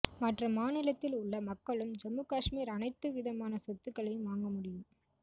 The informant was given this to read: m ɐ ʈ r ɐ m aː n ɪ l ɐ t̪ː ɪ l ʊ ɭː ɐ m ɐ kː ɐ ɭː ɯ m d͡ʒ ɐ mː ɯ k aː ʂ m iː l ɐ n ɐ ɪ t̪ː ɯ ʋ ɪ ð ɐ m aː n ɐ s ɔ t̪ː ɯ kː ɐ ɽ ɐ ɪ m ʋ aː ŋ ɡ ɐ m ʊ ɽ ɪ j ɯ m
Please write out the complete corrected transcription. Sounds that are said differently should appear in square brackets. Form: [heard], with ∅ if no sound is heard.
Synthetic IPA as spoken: m ɐ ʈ r ɐ m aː n ɪ l ɐ t̪ː ɪ l ʊ ɭː ɐ m ɐ kː ɐ [ɭ] ɯ m d͡ʒ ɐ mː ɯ k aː ʂ m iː [ɾ] ɐ n ɐ ɪ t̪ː ɯ ʋ ɪ ð ɐ m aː n ɐ s ɔ t̪ː ɯ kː ɐ [ɭ] ɐ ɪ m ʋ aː ŋ ɡ ɐ m ʊ ɽ ɪ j ɯ m